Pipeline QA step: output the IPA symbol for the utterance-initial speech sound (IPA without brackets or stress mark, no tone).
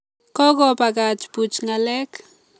k